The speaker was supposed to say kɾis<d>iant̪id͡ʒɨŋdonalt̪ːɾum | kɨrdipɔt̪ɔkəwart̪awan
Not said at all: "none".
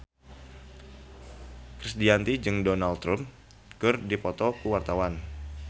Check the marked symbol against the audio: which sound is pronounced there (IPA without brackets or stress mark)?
d